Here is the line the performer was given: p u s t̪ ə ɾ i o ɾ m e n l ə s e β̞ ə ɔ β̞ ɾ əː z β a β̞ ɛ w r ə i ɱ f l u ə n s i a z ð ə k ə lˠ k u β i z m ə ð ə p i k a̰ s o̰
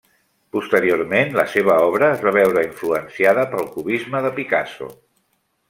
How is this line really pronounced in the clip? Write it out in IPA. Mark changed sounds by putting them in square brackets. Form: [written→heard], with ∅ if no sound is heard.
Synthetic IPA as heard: p u s t̪ ə ɾ i o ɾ m e n l ə s e β̞ ə ɔ β̞ ɾ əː z β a β̞ ɛ w [r→ɾ] ə i ɱ f l u ə n s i a [z→∅] ð ə [k→p] ə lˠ k u β i z m ə ð ə p i k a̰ s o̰